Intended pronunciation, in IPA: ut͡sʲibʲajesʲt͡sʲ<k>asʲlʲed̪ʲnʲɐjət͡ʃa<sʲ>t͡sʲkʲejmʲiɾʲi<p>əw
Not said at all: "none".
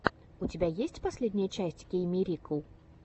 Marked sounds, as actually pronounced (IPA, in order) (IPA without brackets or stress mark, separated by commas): p, sʲ, k